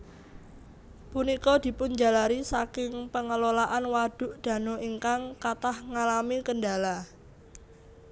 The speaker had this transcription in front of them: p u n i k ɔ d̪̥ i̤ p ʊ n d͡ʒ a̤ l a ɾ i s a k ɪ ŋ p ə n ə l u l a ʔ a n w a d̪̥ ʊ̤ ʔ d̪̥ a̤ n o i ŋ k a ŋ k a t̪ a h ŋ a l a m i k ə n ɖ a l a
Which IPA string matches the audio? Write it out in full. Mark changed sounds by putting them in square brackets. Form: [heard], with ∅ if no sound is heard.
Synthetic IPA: p u n i k ɔ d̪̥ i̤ p ʊ n d͡ʒ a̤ l a ɾ i s a k ɪ ŋ p ə [ŋ] ə l [o] l a ʔ a n w a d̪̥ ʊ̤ ʔ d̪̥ a̤ n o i ŋ k a ŋ k a t̪ a h ŋ a l a m i k ə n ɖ a l a

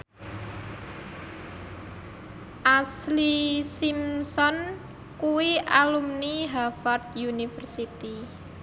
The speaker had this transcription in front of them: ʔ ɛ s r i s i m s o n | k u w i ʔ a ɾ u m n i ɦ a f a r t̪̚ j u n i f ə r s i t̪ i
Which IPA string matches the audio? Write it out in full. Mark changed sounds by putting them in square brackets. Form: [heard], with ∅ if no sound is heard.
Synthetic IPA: ʔ [a] s [l] i s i m s [ɔ] n | k u w i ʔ a [l] u m n i ɦ a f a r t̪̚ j u n i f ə r s i t̪ i

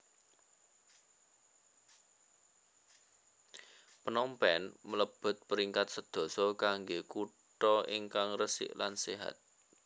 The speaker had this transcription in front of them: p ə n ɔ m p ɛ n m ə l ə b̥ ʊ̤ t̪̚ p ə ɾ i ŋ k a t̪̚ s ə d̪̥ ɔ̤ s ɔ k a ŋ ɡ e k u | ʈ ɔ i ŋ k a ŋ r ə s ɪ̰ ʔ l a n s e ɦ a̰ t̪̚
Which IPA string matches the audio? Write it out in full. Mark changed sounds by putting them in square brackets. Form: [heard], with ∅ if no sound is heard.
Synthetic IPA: p ə n ɔ m p ɛ n m ə l ə b̥ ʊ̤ t̪̚ p ə ɾ i ŋ k a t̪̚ s ə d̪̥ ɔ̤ s ɔ k a ŋ ɡ e k u | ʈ ɔ i ŋ k a ŋ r ə s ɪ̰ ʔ l a n s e ɦ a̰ t̪̚

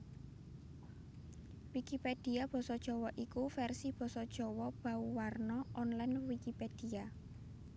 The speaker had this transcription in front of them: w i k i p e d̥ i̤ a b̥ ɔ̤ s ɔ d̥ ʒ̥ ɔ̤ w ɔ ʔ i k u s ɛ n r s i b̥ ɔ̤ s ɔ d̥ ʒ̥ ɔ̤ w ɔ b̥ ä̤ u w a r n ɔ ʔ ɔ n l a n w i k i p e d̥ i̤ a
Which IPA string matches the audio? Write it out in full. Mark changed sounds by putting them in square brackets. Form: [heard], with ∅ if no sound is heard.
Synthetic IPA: w i k i p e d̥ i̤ a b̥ ɔ̤ s ɔ d̥ ʒ̥ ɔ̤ w ɔ ʔ i k u [f] ɛ [∅] r s i b̥ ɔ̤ s ɔ d̥ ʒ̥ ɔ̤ w ɔ b̥ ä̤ u w a r n ɔ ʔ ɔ n l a n w i k i p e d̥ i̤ a

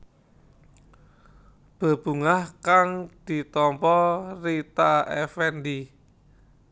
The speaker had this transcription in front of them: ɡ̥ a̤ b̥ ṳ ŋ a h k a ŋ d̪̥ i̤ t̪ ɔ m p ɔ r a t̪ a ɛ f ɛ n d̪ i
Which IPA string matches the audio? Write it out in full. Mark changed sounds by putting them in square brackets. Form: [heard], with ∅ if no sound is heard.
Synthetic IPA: [b̥] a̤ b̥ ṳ ŋ a h k a ŋ d̪̥ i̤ t̪ ɔ m p ɔ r [i] t̪ a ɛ f ɛ n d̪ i

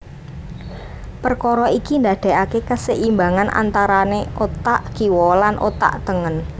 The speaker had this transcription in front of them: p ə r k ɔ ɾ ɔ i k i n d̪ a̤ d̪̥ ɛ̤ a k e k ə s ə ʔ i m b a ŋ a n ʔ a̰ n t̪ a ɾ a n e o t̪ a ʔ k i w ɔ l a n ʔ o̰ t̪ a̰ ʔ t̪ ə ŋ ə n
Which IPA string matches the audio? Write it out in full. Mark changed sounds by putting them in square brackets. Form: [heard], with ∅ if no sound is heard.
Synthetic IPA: p ə r k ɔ ɾ ɔ i k i n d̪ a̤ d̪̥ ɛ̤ a k e k ə s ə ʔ i m b a ŋ a n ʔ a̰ n t̪ a ɾ a n e o t̪ a ʔ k i w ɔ l a n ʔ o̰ t̪ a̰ ʔ t̪ ə ŋ ə n

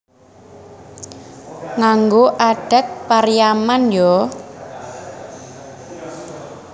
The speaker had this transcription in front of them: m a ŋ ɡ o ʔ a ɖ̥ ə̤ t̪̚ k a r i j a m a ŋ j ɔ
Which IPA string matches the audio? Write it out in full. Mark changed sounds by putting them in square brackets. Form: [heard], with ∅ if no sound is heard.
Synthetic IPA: [ŋ] a ŋ ɡ o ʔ a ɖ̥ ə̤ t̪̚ [p] a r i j a m a [n] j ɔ

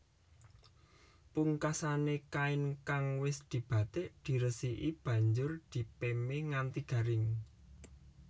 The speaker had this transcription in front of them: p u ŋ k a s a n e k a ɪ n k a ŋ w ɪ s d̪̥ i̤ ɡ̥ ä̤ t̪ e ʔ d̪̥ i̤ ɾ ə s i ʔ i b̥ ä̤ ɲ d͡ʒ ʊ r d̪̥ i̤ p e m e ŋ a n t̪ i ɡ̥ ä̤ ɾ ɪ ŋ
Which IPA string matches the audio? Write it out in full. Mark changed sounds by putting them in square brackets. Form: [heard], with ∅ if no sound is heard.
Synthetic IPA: p u ŋ k a s a n e k a ɪ n k a ŋ w ɪ s d̪̥ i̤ [b̥] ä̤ t̪ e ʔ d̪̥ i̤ ɾ ə s i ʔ i b̥ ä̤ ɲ d͡ʒ ʊ r d̪̥ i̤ p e m e ŋ a n t̪ i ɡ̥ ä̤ ɾ ɪ ŋ

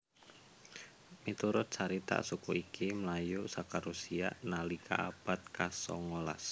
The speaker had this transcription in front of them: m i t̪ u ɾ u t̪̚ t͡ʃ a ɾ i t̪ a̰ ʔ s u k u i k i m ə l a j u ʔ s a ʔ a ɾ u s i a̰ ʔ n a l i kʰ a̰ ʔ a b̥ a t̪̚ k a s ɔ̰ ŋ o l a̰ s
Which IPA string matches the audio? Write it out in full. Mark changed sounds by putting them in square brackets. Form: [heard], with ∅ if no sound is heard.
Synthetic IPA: m i t̪ u ɾ [ʊ] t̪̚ t͡ʃ a ɾ i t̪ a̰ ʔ s u k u i k i m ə l a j u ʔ s a [k] a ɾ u s i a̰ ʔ n a l i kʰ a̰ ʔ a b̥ a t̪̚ k a s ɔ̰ ŋ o l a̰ s

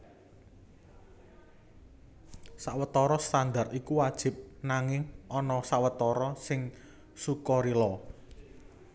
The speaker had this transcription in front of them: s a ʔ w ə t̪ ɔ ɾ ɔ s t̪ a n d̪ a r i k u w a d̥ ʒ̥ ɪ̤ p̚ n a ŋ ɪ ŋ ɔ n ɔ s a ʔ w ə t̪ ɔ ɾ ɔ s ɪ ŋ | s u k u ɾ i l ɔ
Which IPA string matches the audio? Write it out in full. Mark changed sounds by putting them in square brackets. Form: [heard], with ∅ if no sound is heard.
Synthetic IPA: s a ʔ w ə t̪ ɔ ɾ ɔ s t̪ a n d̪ a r i k u w a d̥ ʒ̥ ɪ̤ p̚ n a ŋ ɪ ŋ ɔ n ɔ s a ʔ w ə t̪ ɔ ɾ ɔ s ɪ ŋ | s u k [ɔ] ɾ i l ɔ

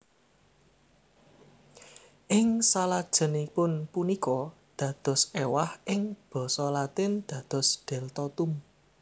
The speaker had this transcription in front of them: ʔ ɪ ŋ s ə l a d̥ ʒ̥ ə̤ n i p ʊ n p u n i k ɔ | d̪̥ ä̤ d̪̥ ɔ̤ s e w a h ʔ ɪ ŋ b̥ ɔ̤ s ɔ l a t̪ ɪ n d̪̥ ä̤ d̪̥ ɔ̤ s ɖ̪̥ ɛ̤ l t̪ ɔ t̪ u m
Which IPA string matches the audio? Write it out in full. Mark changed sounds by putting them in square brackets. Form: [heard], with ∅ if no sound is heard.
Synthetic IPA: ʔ ɪ ŋ s [a] l a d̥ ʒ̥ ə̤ n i p ʊ n p u n i k ɔ | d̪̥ ä̤ d̪̥ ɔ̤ s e w a h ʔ ɪ ŋ b̥ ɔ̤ s ɔ l a t̪ ɪ n d̪̥ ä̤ d̪̥ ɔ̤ s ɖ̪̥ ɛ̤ l t̪ ɔ t̪ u m

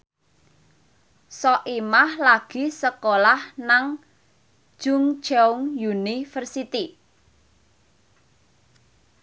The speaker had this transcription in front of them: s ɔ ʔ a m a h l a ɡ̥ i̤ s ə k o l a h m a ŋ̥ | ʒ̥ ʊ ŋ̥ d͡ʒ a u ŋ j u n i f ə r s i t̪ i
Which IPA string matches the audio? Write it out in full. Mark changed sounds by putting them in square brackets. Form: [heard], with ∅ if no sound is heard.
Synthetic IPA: s ɔ ʔ [i] m a h l a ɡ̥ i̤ s ə k o l a h [n] a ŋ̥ | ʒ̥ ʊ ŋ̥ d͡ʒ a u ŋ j u n i f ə r s i t̪ i

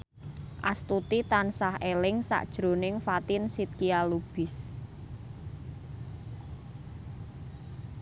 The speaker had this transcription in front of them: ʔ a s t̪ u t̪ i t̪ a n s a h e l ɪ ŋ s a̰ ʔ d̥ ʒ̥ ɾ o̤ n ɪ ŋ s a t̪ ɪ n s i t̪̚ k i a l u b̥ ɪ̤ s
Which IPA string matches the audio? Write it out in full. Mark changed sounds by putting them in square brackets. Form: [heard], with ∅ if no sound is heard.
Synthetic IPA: ʔ a s t̪ u t̪ i t̪ a n s a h e l ɪ ŋ s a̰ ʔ d̥ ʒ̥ ɾ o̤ n ɪ ŋ [f] a t̪ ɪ n s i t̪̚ k i a l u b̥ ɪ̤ s

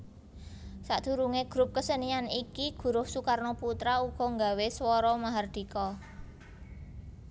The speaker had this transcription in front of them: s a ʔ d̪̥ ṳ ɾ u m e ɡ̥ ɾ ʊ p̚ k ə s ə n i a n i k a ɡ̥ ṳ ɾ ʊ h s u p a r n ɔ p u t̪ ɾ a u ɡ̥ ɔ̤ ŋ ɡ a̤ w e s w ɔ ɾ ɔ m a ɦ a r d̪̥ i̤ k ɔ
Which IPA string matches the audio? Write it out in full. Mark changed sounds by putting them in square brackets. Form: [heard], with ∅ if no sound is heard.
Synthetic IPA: s a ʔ d̪̥ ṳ ɾ u [ŋ] e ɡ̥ ɾ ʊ p̚ k ə s ə n i a n i k [i] ɡ̥ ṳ ɾ ʊ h s u [k] a r n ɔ p u t̪ ɾ a u ɡ̥ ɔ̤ ŋ ɡ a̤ w e s w ɔ ɾ ɔ m a ɦ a r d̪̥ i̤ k ɔ

